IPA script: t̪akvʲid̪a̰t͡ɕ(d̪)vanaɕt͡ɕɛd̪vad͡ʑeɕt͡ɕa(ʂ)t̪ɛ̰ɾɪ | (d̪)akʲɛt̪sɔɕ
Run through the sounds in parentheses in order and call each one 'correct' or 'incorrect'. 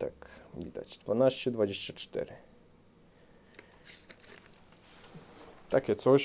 correct, incorrect: t͡ʂ, incorrect: t̪

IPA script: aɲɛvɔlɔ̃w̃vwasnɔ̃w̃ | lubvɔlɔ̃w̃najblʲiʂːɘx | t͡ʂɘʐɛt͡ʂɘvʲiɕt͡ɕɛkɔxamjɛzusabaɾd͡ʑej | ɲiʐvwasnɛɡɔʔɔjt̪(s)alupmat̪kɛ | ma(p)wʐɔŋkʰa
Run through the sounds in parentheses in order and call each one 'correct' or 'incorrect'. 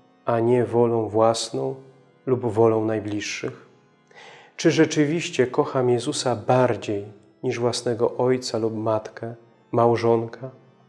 correct, incorrect: none

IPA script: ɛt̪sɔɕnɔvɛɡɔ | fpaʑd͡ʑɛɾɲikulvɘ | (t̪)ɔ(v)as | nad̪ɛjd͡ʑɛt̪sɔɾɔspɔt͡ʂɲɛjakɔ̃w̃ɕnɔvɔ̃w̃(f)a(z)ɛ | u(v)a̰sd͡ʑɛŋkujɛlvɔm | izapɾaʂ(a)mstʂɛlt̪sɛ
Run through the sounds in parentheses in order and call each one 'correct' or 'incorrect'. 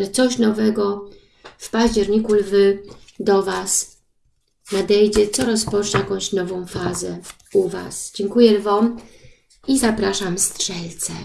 incorrect: d̪, correct, correct, correct, correct, correct

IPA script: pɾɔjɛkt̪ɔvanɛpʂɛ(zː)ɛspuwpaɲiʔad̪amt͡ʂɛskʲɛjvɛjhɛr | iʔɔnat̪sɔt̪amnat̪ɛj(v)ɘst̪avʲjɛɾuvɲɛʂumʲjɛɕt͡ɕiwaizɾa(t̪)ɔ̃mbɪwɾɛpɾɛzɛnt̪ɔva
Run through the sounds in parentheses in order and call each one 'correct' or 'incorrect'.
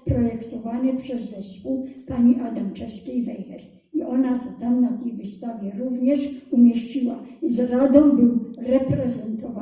correct, correct, incorrect: d̪

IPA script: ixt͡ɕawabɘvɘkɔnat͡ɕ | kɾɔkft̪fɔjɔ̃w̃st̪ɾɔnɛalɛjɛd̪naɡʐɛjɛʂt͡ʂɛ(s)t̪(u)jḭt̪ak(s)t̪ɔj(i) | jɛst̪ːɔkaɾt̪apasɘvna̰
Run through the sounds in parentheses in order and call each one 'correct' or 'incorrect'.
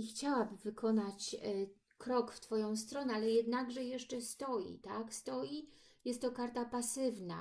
correct, incorrect: ɔ, correct, correct

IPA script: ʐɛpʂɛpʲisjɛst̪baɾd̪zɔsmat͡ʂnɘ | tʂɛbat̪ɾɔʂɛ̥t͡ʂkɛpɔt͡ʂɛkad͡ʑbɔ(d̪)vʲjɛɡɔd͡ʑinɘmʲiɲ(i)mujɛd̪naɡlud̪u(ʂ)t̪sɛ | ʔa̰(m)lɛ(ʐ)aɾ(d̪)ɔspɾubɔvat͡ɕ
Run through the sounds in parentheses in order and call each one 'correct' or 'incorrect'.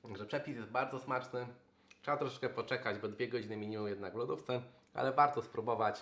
correct, correct, incorrect: f, incorrect: none, incorrect: v, incorrect: t̪

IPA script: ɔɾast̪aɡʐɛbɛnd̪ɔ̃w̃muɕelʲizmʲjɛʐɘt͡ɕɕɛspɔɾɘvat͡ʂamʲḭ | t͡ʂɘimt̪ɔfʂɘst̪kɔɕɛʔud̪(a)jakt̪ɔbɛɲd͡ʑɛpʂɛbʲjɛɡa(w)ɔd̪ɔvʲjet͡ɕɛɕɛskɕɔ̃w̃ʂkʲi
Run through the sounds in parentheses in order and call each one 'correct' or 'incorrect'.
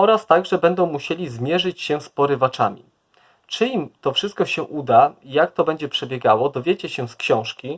correct, correct

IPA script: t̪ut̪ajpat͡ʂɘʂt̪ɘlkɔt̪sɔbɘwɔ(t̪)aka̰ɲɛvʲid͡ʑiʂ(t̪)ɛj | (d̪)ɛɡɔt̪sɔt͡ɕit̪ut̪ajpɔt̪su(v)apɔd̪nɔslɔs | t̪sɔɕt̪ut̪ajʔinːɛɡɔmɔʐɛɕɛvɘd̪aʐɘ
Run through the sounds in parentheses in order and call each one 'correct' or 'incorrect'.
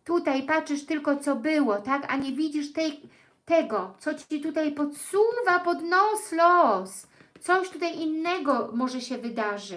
correct, correct, incorrect: t̪, correct

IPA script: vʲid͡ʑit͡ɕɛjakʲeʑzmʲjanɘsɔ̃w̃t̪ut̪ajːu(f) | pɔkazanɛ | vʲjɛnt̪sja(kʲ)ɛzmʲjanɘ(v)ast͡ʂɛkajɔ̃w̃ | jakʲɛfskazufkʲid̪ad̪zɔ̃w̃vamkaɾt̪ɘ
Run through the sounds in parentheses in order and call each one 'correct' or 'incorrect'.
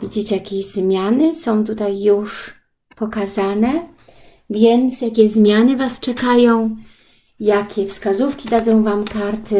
incorrect: ʂ, correct, correct

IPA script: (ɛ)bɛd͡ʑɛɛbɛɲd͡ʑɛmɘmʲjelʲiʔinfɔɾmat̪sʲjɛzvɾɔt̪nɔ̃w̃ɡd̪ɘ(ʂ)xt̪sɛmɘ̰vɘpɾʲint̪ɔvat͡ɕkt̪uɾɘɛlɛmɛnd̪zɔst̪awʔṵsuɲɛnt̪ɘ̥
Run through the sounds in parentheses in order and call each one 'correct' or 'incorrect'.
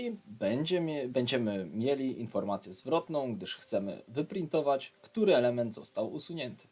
incorrect: i, correct

